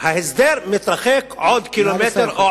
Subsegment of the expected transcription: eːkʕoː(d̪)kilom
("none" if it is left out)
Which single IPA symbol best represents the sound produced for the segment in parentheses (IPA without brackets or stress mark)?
d̪